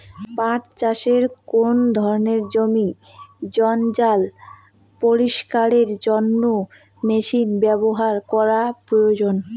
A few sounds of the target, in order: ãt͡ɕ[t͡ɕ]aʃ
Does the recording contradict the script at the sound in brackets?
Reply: no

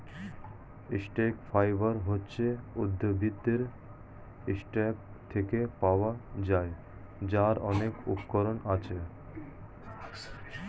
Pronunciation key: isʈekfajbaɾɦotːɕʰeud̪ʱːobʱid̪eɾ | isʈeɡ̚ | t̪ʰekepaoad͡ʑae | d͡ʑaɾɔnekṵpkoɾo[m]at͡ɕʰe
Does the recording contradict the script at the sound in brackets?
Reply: yes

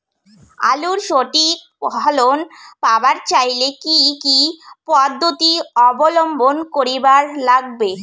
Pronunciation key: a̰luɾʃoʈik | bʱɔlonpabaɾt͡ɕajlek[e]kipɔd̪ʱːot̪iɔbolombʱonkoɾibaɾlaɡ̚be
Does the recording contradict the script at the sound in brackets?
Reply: yes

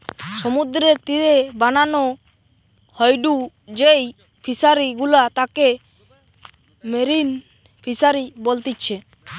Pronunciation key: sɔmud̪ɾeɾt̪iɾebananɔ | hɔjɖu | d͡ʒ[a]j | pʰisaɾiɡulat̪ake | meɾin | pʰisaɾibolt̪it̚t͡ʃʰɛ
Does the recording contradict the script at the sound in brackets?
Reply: yes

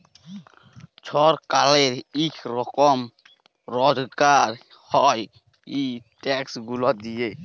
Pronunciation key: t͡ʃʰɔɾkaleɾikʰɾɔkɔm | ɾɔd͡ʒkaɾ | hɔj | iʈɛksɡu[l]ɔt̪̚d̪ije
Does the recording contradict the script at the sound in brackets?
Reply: no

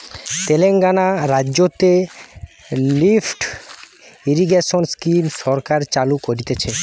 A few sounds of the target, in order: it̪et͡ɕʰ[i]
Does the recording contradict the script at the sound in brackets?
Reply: yes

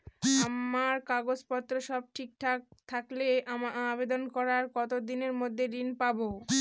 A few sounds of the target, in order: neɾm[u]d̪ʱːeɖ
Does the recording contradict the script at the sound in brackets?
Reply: yes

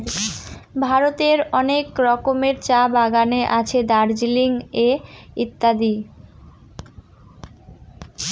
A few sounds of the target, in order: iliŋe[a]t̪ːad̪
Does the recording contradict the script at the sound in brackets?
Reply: yes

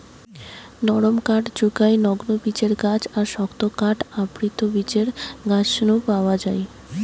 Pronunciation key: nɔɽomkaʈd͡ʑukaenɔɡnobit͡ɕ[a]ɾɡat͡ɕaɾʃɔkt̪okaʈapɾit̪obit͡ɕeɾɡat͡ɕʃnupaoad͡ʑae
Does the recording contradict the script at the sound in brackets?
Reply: yes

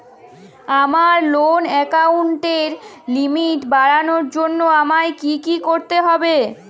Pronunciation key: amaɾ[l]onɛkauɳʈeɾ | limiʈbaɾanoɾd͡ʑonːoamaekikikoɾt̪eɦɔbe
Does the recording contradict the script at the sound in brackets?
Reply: no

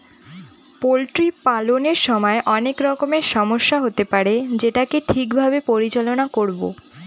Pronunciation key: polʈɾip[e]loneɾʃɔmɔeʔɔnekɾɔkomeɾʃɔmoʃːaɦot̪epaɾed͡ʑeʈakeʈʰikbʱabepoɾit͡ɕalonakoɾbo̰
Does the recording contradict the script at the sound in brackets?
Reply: yes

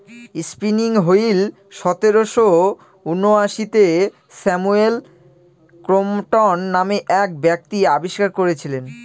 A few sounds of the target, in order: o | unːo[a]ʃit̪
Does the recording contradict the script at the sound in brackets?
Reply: no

